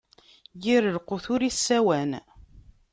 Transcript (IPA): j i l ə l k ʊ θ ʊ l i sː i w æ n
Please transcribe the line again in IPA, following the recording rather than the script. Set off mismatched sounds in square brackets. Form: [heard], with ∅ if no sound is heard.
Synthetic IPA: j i [ɾ] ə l [q] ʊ θ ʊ [ɾ] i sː [æ] w æ n